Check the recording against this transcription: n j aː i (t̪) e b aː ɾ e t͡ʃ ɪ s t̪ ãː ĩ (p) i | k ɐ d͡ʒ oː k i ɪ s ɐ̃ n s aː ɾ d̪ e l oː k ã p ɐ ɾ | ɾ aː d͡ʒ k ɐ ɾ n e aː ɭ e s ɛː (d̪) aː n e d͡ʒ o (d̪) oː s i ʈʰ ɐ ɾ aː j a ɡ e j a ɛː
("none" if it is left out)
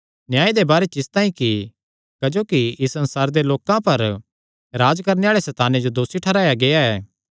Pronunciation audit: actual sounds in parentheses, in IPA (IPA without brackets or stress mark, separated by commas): d̪, k, t̪, d̪